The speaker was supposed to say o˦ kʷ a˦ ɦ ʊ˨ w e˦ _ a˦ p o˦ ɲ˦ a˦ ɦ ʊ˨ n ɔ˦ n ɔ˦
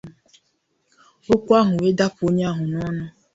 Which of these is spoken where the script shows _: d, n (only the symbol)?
d